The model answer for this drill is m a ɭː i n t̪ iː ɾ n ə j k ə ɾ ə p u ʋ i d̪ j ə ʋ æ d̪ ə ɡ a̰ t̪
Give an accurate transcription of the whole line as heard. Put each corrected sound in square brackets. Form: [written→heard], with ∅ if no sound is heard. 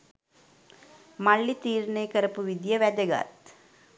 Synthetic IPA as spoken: m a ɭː i [n→∅] t̪ iː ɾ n ə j k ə ɾ ə p u ʋ i d̪ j ə ʋ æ d̪ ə ɡ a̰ t̪